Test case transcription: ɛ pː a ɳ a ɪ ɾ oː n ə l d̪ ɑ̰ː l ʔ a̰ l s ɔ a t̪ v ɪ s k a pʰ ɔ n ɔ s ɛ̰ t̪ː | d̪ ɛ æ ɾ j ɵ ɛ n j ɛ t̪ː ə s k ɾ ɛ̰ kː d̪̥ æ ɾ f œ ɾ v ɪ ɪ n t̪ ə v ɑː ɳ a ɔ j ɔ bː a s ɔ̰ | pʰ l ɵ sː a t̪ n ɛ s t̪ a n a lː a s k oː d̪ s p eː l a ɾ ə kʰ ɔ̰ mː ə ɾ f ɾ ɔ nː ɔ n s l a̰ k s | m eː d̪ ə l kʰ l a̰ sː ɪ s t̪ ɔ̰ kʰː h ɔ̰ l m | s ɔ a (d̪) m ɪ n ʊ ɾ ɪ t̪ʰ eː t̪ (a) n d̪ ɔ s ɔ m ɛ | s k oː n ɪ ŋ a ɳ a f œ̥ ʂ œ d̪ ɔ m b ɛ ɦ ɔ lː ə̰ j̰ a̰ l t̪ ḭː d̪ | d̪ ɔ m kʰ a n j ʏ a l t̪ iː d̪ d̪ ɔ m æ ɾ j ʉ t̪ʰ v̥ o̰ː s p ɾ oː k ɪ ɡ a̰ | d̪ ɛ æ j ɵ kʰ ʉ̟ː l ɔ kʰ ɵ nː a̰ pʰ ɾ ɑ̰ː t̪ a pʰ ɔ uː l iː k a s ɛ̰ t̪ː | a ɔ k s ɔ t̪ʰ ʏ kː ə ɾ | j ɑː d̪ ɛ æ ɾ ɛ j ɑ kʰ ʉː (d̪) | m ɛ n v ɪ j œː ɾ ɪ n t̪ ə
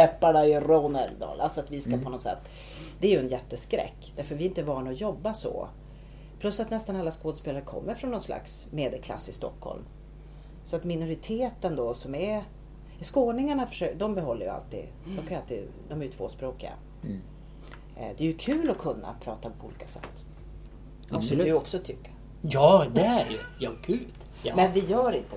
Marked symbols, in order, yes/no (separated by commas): no, no, no